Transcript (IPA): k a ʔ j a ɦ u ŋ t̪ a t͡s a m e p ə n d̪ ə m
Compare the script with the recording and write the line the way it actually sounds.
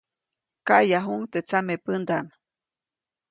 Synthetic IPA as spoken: k a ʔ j a ɦ u ŋ t̪ e t͡s a m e p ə n d̪ a m